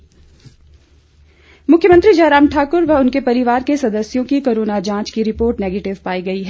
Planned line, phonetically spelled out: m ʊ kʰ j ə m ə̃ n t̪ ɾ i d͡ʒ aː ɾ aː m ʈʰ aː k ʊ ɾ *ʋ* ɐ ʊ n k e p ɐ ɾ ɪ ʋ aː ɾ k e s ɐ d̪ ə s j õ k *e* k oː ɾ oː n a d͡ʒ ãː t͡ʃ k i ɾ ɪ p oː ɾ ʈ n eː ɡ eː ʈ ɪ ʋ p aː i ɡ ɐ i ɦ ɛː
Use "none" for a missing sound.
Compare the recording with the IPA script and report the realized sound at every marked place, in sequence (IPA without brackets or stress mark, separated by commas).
ʋ, i